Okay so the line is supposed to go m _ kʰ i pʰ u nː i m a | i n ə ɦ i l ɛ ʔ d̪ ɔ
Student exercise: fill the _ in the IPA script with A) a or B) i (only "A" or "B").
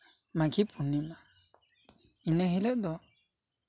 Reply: A